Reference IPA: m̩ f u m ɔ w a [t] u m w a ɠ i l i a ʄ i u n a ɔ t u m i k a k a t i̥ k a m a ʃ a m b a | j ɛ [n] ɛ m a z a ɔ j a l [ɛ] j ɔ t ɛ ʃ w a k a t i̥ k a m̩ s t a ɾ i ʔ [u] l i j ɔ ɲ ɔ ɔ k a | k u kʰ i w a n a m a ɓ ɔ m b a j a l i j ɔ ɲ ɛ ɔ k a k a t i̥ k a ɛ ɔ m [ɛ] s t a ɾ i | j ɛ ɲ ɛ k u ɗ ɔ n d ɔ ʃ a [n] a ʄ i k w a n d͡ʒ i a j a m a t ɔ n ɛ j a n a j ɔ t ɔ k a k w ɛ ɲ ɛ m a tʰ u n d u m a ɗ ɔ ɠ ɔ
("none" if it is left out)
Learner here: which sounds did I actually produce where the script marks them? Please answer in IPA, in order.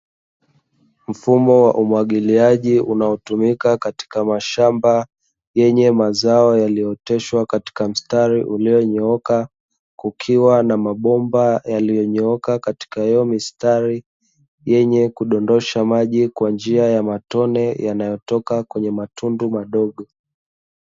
ʔ, ɲ, i, u, i, m

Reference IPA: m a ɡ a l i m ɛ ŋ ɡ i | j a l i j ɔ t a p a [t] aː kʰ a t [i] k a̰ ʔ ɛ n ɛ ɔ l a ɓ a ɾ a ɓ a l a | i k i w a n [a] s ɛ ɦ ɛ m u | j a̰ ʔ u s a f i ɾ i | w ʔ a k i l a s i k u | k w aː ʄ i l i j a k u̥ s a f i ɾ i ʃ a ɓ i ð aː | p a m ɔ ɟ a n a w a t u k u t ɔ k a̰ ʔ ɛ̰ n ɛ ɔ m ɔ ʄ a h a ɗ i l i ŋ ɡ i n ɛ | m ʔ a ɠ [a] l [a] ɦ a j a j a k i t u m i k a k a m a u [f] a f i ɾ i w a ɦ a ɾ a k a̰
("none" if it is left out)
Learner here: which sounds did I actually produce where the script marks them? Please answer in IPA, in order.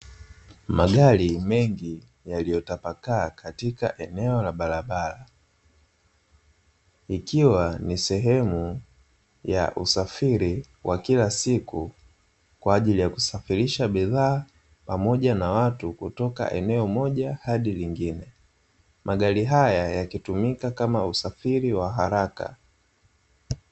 k, i, i, a, i, s

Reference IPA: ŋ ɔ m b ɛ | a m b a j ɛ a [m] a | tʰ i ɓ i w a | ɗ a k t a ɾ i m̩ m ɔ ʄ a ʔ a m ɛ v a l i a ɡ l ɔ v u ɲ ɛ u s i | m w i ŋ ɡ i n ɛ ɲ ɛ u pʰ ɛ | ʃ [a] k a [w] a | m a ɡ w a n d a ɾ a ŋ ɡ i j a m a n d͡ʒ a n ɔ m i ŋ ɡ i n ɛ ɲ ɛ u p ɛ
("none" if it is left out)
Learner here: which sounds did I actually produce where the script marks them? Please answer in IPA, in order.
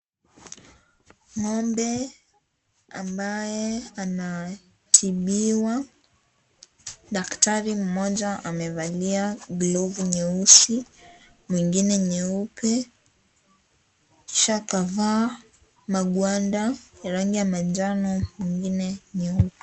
n, a, v

